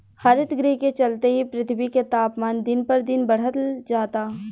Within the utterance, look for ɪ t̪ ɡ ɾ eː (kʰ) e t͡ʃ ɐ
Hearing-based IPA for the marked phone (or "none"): k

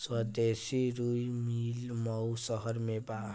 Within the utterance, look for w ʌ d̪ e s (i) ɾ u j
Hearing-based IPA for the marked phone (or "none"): i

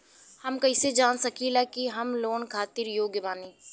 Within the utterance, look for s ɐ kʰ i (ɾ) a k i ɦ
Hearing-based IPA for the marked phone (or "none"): l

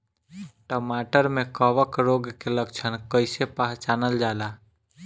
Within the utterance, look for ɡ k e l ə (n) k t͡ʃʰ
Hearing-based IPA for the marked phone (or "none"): none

